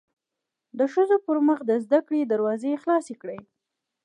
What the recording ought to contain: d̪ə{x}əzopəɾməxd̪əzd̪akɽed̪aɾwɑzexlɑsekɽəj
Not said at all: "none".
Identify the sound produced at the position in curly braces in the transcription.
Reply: ʃ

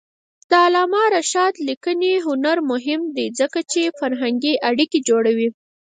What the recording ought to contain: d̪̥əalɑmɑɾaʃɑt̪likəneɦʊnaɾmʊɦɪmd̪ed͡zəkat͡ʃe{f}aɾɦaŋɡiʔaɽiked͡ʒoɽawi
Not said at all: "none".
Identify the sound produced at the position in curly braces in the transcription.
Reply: f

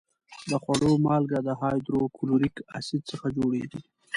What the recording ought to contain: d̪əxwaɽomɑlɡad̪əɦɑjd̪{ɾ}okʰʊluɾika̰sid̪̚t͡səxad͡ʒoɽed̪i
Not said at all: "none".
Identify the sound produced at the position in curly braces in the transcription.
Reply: ɾ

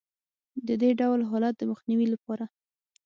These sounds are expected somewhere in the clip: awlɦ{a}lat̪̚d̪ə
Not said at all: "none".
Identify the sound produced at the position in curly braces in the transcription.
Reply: ɑ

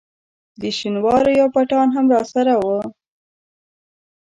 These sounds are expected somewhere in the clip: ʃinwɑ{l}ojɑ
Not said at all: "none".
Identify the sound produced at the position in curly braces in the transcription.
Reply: ɾ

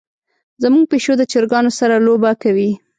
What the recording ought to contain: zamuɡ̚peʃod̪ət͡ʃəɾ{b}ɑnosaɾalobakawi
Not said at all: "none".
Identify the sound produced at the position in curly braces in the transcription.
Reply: ɡ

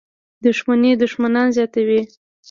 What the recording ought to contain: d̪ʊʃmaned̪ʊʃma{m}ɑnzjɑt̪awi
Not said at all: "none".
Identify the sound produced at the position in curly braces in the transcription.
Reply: n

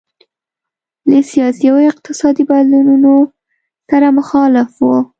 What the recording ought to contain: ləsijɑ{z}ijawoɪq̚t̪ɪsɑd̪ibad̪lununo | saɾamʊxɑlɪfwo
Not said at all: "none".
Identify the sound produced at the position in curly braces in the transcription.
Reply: s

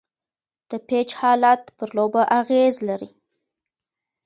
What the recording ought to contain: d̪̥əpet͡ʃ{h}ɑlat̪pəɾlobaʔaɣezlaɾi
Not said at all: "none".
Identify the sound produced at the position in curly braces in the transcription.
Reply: h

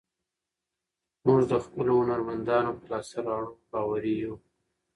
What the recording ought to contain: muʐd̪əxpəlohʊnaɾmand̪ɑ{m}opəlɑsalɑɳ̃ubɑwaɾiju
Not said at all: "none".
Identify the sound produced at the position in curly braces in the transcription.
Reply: n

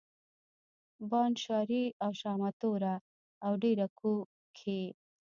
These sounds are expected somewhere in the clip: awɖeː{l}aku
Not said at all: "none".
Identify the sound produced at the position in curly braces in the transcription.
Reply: ɾ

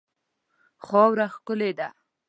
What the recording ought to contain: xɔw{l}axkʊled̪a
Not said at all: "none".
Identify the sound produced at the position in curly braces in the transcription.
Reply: ɾ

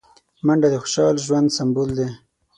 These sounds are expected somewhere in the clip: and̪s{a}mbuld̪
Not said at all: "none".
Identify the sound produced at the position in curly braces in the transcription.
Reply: a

